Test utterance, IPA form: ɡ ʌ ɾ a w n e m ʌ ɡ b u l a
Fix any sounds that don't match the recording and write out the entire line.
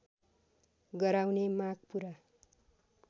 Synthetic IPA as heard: ɡ ʌ ɾ a w n e m a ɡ p u ɾ a